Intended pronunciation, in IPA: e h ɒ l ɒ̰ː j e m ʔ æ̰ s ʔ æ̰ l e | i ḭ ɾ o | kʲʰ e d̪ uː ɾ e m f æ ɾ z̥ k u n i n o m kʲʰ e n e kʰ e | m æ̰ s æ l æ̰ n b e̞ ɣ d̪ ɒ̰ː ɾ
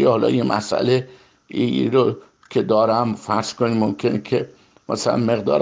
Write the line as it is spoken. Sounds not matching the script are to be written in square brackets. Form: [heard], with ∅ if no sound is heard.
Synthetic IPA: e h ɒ l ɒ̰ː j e m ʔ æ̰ s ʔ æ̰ l e | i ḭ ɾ o | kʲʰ e d̪ [ɒː] ɾ [æ] m f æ ɾ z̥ k [o] n i [m] o m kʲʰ e n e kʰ e | m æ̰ s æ l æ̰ n [m] e̞ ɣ d̪ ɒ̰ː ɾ